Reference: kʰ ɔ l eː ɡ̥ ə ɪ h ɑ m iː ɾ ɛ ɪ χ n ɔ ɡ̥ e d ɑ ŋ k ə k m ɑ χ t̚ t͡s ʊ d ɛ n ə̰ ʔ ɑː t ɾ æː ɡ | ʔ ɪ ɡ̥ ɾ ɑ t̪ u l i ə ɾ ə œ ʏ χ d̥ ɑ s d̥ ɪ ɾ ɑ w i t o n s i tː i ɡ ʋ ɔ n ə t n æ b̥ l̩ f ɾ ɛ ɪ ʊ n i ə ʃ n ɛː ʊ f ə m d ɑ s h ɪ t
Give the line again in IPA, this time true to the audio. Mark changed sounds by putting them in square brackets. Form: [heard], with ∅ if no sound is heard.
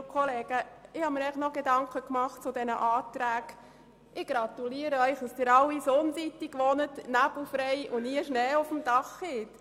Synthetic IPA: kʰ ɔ l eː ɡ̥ ə ɪ h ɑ m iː ɾ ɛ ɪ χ n ɔ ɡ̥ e d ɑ ŋ k ə k m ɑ χ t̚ t͡s ʊ d ɛ n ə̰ ʔ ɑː t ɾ æː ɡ | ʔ ɪ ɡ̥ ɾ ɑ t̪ u l i ə ɾ ə œ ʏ χ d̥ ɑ s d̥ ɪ ɾ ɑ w i [s] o n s i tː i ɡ ʋ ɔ n ə t n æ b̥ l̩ f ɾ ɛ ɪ ʊ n i ə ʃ n ɛː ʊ f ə m d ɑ [χ] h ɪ t